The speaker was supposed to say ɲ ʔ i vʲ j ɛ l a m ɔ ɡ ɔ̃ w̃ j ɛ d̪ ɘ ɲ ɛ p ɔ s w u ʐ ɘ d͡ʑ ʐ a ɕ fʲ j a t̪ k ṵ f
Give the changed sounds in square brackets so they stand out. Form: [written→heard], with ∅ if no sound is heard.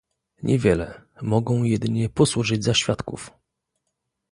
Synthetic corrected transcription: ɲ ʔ [i→ɛ] vʲ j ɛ l [a→ɛ] m ɔ ɡ ɔ̃ w̃ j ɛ d̪ ɘ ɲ ɛ p ɔ s w u ʐ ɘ d͡ʑ [ʐ→z] a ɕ fʲ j a t̪ k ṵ f